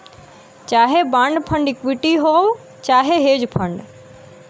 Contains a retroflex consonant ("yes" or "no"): yes